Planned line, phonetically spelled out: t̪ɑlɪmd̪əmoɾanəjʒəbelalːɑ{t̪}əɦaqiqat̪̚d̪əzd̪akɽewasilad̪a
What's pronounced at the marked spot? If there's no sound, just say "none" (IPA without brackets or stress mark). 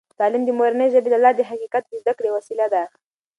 d̪